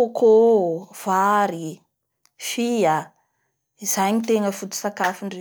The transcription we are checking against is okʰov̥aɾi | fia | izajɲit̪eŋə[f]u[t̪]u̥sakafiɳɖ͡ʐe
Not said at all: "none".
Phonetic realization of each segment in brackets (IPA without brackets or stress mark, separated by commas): f, t̪